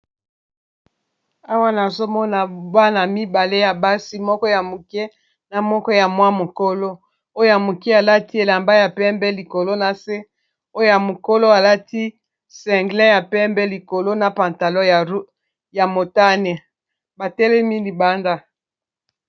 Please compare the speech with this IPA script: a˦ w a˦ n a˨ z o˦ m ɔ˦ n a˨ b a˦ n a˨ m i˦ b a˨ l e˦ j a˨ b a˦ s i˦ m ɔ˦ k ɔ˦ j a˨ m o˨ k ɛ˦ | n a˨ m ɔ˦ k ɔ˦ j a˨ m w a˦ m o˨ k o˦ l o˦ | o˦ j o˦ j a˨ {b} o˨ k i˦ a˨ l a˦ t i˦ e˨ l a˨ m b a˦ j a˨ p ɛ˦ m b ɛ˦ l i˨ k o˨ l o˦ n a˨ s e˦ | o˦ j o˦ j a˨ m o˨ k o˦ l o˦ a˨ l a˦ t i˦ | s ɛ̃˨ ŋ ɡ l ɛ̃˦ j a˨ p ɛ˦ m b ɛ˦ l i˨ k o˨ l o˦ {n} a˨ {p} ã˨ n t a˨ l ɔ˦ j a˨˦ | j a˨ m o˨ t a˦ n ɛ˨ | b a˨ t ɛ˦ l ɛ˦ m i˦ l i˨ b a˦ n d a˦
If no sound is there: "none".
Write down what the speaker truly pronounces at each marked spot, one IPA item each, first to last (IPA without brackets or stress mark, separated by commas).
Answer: m, n, p